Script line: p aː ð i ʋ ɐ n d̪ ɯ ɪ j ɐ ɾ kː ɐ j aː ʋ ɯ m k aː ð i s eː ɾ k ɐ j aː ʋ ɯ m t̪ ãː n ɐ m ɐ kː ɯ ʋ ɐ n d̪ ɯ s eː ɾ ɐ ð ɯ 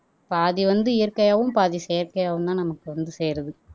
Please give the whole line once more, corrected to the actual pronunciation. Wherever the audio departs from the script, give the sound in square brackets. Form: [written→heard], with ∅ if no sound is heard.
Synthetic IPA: p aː ð i ʋ ɐ n d̪ ɯ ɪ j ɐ ɾ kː ɐ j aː ʋ ɯ m [k→p] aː ð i s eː ɾ k ɐ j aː ʋ ɯ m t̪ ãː n ɐ m ɐ kː ɯ ʋ ɐ n d̪ ɯ s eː ɾ ɐ ð ɯ